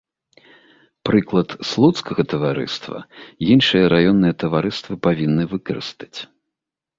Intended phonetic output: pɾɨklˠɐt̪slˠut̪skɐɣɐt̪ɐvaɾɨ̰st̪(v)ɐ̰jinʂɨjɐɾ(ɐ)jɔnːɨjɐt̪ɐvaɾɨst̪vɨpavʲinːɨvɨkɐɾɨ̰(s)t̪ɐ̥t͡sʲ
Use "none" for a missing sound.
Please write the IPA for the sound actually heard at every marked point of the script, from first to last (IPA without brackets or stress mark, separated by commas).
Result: v, a, s